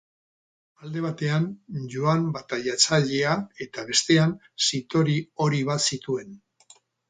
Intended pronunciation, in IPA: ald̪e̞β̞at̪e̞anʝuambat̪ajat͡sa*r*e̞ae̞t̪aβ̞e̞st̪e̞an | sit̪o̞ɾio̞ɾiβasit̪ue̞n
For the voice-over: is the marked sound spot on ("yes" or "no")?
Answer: no